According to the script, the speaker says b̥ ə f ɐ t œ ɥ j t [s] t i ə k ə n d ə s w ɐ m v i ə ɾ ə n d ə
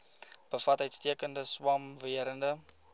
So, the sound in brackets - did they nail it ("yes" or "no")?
yes